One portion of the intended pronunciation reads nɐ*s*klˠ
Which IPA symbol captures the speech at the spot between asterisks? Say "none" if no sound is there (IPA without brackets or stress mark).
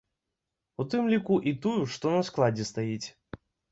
s